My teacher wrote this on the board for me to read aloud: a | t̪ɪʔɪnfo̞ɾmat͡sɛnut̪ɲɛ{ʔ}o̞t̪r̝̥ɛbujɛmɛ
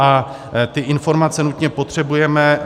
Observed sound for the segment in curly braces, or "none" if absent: p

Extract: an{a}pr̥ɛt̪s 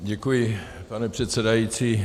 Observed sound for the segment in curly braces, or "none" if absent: ɛ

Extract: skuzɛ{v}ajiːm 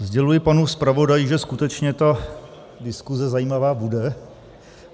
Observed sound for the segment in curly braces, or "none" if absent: z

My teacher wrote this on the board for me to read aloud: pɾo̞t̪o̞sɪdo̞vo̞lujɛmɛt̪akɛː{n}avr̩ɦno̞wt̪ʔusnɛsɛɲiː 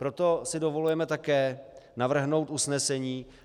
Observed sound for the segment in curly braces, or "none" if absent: n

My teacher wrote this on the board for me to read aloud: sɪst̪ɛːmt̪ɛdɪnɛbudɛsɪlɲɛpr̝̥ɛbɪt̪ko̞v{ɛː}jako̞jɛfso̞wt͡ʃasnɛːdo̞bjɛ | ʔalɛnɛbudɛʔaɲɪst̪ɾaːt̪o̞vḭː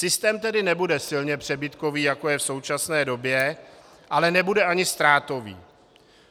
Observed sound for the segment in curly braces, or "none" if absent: iː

